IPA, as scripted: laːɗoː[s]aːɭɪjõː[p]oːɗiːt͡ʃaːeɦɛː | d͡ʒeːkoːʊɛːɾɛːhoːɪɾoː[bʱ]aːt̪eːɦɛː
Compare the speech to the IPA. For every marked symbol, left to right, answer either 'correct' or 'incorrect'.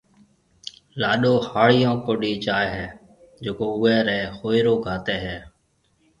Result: incorrect: h, incorrect: k, incorrect: ɡʱ

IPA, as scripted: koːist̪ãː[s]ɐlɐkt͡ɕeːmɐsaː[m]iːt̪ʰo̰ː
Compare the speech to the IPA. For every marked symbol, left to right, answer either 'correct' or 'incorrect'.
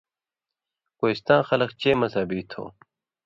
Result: incorrect: x, incorrect: b

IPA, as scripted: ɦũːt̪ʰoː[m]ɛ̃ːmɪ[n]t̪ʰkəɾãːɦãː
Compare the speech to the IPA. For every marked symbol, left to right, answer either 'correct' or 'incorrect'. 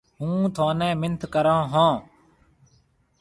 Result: incorrect: n, correct

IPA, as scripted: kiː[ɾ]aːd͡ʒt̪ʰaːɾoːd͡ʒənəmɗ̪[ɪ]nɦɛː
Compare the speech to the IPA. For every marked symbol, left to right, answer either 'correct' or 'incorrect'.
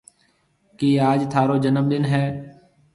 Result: incorrect: none, correct

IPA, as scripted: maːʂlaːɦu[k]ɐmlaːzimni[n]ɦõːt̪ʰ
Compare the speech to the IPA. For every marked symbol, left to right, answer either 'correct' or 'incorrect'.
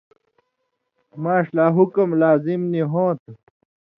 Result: correct, incorrect: none

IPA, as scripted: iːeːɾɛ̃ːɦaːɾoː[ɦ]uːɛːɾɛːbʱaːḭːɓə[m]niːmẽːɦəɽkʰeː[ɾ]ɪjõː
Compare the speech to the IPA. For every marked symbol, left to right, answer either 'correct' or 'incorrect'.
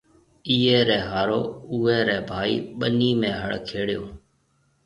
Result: incorrect: none, incorrect: none, incorrect: ɽ

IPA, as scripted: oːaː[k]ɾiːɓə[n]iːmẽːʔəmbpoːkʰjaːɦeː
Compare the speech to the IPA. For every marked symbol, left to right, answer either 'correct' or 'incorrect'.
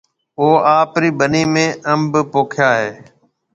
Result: incorrect: p, correct

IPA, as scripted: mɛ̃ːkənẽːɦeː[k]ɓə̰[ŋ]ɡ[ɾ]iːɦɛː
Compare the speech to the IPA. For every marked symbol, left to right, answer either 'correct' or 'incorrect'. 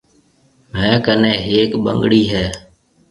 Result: correct, correct, incorrect: ɽ

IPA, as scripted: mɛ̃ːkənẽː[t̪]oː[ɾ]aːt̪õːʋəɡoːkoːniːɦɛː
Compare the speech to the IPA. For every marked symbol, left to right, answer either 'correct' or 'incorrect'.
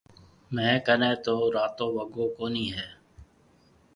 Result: correct, correct

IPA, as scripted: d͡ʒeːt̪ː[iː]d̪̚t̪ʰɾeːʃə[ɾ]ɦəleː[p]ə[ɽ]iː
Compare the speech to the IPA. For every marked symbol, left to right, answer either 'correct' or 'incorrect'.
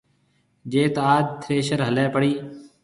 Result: incorrect: aː, correct, correct, correct

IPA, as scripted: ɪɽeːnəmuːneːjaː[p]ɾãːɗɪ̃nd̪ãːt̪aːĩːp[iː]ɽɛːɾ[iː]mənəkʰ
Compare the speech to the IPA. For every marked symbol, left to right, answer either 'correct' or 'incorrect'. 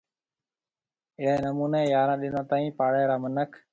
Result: incorrect: none, incorrect: aː, incorrect: aː

